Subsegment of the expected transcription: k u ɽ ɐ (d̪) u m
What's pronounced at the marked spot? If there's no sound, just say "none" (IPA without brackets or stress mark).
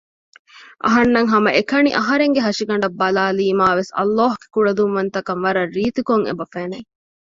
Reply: d̪